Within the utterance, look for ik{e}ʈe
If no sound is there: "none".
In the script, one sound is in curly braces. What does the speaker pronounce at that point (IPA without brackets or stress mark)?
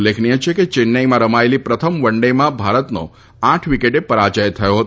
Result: e